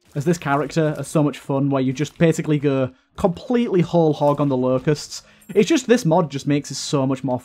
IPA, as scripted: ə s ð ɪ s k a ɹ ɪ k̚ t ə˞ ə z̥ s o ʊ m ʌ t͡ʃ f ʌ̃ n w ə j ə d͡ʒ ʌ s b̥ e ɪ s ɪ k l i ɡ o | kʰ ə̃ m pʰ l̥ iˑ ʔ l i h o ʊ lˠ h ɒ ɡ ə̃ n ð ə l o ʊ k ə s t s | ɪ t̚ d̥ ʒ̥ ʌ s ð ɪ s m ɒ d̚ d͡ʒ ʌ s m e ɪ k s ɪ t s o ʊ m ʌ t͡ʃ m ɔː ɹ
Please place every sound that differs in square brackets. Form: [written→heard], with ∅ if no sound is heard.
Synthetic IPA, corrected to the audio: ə [s→z] ð ɪ s [k→kʰ] a ɹ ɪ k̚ t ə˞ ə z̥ s o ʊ m ʌ t͡ʃ f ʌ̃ n w ə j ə d͡ʒ ʌ s b̥ e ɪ s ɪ k l i ɡ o | kʰ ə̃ m pʰ l̥ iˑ ʔ l i h o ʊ lˠ h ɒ ɡ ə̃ n ð ə l o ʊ k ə s t s | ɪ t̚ d̥ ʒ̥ ʌ s ð ɪ s m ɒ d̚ d͡ʒ ʌ s m e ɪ k s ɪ t s o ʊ m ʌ t͡ʃ m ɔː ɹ